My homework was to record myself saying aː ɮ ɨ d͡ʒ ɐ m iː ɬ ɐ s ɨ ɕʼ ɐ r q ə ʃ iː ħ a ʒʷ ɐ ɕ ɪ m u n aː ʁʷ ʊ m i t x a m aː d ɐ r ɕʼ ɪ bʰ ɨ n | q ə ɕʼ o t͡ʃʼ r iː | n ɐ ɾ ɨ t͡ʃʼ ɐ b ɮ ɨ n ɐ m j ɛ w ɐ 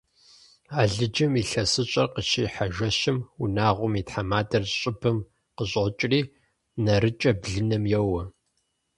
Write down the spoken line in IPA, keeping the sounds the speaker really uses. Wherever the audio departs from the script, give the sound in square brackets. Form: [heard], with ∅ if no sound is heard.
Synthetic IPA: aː ɮ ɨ d͡ʒ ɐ m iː ɬ ɐ s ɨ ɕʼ ɐ r q ə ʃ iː ħ a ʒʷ ɐ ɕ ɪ m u n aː ʁʷ ʊ m i t [ħ] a m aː d ɐ r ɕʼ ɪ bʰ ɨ [m] | q ə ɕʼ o t͡ʃʼ r iː | n ɐ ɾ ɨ t͡ʃʼ ɐ b ɮ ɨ n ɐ m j ɛ w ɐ